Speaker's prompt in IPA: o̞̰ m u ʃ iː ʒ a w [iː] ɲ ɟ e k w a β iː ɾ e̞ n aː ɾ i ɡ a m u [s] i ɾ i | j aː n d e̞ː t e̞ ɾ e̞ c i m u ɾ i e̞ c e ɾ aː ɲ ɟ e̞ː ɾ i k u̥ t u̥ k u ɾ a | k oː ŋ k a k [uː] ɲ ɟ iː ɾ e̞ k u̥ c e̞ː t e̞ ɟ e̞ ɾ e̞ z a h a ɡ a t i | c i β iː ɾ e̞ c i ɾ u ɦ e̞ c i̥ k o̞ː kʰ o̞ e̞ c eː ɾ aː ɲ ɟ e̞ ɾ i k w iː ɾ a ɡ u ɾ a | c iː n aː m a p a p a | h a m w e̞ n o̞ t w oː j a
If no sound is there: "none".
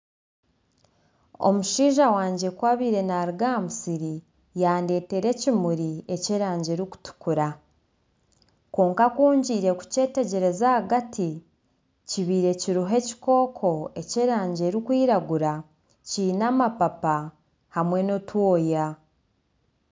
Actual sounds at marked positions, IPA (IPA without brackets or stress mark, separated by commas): aː, s, uː